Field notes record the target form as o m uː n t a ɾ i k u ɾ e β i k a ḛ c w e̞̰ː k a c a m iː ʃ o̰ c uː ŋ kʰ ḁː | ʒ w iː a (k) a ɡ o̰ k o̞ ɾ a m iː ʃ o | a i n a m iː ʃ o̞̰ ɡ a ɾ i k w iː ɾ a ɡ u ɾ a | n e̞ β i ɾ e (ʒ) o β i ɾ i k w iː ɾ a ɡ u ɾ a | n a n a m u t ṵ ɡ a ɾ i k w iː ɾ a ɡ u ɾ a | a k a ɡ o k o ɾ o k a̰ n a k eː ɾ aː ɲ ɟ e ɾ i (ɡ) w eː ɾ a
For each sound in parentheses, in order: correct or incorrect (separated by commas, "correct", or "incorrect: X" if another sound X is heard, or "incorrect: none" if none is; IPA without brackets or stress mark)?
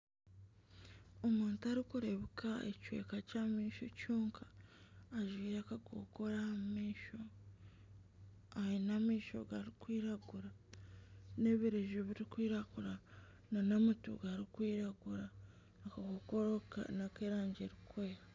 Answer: correct, correct, incorrect: k